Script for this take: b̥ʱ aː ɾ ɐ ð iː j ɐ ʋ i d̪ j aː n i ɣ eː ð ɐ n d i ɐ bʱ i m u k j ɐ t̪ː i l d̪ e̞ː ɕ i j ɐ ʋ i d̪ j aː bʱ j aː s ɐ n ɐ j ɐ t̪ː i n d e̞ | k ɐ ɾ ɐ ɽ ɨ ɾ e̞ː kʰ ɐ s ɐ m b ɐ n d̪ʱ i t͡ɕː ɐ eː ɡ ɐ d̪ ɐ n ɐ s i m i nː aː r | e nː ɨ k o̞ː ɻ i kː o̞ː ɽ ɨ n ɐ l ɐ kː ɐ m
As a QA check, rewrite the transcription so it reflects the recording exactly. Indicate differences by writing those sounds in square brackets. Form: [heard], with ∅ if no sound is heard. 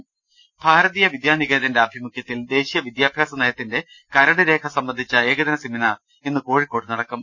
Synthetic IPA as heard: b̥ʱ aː ɾ ɐ ð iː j ɐ ʋ i d̪ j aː n i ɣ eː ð ɐ n d [e] ɐ bʱ i m u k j ɐ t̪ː i l d̪ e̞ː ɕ i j ɐ ʋ i d̪ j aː bʱ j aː s ɐ n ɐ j ɐ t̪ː i n d e̞ | k ɐ ɾ ɐ ɽ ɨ ɾ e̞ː kʰ ɐ s ɐ m b ɐ n d̪ʱ i t͡ɕː ɐ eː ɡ ɐ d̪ ɐ n ɐ s i m i [n] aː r | e nː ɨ k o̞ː ɻ i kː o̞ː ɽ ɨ n ɐ [ɽ] ɐ kː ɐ m